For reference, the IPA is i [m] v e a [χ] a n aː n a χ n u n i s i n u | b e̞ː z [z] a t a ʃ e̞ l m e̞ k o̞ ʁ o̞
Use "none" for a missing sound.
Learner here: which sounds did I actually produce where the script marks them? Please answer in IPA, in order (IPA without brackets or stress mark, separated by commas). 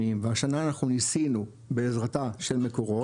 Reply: m, ʃ, ʁ